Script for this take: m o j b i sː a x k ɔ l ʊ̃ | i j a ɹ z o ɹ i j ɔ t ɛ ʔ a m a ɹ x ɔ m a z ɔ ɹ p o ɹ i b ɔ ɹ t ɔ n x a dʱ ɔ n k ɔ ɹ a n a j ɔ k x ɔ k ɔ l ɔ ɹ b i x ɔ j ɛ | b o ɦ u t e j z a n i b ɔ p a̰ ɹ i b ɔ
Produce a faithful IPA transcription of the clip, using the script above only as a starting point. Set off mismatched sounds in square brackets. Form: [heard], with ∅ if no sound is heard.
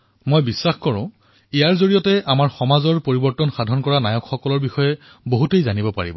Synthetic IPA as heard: m o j b i sː a x k ɔ [ɹ] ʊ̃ | i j a ɹ z o ɹ i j ɔ t ɛ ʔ a m a ɹ x ɔ m a z ɔ ɹ p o ɹ i b ɔ ɹ t ɔ n x a dʱ ɔ n k ɔ ɹ a n a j ɔ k x ɔ k ɔ l ɔ ɹ b i x ɔ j ɛ | b o ɦ u t e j z a n i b ɔ p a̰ ɹ i b ɔ